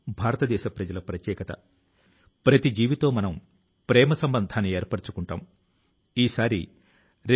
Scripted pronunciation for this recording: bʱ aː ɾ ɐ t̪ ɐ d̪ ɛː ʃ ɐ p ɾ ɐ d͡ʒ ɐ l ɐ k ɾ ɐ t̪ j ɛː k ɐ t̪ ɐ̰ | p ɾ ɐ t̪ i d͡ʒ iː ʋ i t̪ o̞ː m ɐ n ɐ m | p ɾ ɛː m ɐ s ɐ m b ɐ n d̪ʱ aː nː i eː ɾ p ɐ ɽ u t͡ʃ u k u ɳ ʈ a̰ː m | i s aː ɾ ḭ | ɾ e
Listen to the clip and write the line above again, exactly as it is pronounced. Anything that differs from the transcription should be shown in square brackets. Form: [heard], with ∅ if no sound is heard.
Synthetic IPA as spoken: bʱ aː ɾ ɐ t̪ ɐ d̪ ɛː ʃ ɐ p ɾ ɐ d͡ʒ ɐ l ɐ [p] ɾ ɐ t̪ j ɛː k ɐ t̪ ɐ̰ | p ɾ ɐ t̪ i d͡ʒ iː ʋ i t̪ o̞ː m ɐ n ɐ m | p ɾ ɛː m ɐ s ɐ m b ɐ n d̪ʱ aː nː i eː ɾ p ɐ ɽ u t͡ʃ u k u ɳ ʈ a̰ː m | [iː] s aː ɾ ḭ | ɾ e

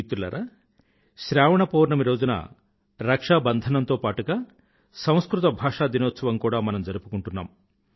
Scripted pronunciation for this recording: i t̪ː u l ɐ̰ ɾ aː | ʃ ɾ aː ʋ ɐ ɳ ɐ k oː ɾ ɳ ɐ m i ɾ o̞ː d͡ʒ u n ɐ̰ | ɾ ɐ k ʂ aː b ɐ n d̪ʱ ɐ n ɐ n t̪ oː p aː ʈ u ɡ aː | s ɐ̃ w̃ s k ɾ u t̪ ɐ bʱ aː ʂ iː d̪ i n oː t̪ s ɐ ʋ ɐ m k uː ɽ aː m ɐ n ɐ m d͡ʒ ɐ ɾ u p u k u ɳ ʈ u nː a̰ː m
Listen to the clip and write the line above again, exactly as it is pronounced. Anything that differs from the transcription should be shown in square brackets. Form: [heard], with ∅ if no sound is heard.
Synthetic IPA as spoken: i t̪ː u l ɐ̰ ɾ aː | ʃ ɾ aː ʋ ɐ ɳ ɐ [p] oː ɾ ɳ ɐ m i ɾ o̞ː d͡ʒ u n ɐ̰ | ɾ ɐ k ʂ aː b ɐ n d̪ʱ ɐ n ɐ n t̪ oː p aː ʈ u ɡ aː | s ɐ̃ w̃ s k ɾ u t̪ ɐ bʱ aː ʂ [aː] d̪ i n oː t̪ s ɐ ʋ ɐ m k uː ɽ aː m ɐ n ɐ m d͡ʒ ɐ ɾ u p u k u ɳ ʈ u nː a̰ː m

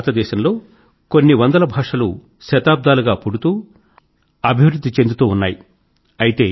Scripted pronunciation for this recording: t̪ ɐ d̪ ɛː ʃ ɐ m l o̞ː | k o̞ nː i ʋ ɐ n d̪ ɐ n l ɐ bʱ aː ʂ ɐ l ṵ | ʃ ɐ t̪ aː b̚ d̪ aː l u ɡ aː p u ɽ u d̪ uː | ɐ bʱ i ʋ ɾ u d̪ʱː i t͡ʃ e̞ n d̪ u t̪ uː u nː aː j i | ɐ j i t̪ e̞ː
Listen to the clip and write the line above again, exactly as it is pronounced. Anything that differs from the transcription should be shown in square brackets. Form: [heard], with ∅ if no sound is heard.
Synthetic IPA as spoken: t̪ ɐ d̪ ɛː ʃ ɐ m l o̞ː | k o̞ nː i ʋ ɐ n d̪ ɐ [∅] l ɐ bʱ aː ʂ ɐ l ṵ | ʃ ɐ t̪ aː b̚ d̪ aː l u ɡ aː p u ɽ u [t̪] uː | ɐ bʱ i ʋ ɾ u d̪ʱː i t͡ʃ e̞ n d̪ u t̪ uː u nː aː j i | ɐ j i t̪ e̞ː

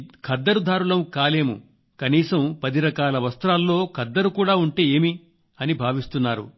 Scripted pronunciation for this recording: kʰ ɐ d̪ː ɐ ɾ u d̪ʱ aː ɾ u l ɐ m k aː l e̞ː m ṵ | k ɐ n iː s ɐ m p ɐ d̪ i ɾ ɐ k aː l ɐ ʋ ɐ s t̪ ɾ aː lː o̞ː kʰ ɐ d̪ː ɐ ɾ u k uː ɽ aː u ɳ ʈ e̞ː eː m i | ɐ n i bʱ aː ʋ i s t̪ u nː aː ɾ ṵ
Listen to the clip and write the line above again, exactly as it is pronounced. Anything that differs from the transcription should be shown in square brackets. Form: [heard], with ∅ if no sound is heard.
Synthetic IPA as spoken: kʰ ɐ d̪ː ɐ ɾ u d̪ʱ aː ɾ u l ɐ m k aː l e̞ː m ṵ | k ɐ n iː s ɐ m p ɐ d̪ i ɾ ɐ k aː l ɐ ʋ ɐ s t̪ ɾ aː lː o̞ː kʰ ɐ d̪ː ɐ ɾ u k uː ɽ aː u ɳ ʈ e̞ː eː m i | ɐ n i bʱ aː ʋ i s t̪ u nː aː ɾ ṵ

